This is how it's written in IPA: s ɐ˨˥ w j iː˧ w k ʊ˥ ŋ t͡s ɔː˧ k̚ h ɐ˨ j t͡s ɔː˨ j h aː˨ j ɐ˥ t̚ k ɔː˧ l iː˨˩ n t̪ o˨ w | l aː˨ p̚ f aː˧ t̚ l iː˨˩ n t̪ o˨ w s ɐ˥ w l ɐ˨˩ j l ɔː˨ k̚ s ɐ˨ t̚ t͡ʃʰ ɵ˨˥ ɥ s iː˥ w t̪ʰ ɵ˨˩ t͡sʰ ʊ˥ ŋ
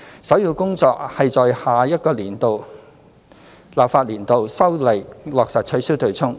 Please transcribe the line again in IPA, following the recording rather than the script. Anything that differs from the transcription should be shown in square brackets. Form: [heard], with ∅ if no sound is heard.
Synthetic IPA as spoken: s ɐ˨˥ w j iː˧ w k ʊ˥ ŋ t͡s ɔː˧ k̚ h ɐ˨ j t͡s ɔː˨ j h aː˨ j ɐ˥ t̚ k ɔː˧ l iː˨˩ n t̪ o˨ w | l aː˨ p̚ f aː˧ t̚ l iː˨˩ n t̪ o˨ w s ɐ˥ w l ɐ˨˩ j l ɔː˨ k̚ s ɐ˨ t̚ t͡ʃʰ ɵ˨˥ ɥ s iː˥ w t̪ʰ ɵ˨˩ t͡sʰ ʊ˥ ŋ